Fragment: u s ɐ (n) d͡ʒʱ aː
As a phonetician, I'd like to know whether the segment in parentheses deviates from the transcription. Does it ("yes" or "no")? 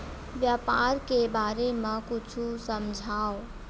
yes